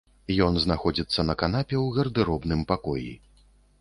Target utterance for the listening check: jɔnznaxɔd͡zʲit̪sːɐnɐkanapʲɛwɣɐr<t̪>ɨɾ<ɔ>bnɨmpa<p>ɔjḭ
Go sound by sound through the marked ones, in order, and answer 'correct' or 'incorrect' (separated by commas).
incorrect, correct, incorrect